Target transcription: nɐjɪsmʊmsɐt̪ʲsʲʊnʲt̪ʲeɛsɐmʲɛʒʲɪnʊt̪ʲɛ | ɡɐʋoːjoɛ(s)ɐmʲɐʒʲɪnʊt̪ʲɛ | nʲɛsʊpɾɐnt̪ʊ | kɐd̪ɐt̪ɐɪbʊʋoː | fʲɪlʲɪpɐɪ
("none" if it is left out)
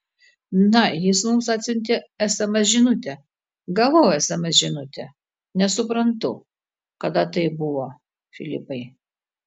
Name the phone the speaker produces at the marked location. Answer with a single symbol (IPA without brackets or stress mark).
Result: s